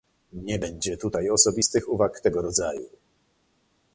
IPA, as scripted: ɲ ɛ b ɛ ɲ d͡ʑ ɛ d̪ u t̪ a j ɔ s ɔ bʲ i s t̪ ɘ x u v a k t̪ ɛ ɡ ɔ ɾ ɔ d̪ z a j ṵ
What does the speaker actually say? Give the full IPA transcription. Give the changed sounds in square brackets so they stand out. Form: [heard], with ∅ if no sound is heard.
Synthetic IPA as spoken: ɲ ɛ b ɛ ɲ d͡ʑ ɛ [t̪] u t̪ a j ɔ s ɔ bʲ i s t̪ ɘ x u v a k t̪ ɛ ɡ ɔ ɾ ɔ d̪ z a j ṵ